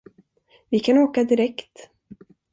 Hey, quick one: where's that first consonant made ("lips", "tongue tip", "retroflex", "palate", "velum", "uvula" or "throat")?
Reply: lips